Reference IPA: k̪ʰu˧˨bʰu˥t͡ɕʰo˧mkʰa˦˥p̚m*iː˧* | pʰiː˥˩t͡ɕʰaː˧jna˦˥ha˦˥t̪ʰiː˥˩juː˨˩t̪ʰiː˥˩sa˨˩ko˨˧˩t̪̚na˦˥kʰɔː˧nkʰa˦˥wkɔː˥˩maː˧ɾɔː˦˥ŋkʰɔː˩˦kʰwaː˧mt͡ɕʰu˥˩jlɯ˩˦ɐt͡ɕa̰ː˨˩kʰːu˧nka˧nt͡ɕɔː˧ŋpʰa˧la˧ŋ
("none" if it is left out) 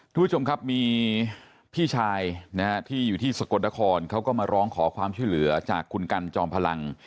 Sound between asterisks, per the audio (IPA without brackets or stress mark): iː˧